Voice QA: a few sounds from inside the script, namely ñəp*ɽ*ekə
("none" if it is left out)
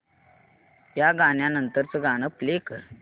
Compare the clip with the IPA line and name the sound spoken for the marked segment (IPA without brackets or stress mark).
l